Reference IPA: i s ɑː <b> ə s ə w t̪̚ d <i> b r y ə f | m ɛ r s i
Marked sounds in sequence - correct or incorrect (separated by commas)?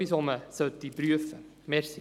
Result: incorrect, correct